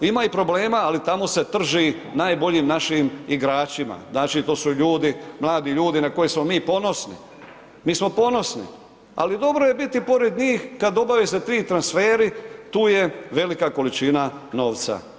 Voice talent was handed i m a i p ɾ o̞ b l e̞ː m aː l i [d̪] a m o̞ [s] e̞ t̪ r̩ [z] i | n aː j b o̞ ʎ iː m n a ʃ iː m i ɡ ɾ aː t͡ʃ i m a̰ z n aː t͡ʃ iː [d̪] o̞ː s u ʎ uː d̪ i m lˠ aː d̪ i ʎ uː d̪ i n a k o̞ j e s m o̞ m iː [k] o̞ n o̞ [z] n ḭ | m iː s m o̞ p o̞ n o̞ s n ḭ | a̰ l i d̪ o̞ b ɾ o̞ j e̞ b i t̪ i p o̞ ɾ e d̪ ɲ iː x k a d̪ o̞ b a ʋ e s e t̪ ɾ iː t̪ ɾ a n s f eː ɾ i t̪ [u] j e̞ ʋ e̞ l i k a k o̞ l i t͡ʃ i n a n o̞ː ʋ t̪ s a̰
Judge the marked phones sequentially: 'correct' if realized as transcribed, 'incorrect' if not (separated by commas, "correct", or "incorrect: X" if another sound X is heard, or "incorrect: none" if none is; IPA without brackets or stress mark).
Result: incorrect: t̪, correct, incorrect: ʒ, incorrect: t̪, incorrect: p, incorrect: s, incorrect: uː